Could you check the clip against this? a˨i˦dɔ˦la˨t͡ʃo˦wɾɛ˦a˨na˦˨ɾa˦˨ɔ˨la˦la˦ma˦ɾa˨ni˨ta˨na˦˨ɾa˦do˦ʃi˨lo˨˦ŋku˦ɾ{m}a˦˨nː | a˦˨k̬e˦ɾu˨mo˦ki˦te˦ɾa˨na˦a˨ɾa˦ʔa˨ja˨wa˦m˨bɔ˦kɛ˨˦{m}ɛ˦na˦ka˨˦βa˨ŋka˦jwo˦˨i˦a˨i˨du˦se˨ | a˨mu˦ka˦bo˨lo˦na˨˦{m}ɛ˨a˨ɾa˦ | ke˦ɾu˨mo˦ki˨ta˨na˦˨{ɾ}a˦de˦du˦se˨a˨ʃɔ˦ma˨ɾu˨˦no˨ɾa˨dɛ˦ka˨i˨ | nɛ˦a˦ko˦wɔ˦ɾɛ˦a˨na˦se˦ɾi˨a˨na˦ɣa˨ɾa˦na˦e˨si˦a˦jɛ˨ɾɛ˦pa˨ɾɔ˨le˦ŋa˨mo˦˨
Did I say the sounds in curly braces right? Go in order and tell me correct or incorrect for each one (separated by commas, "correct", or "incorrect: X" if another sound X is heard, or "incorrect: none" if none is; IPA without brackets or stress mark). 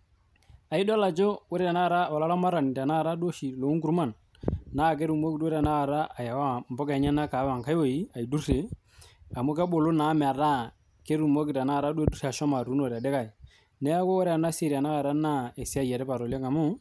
correct, incorrect: ɲ, correct, correct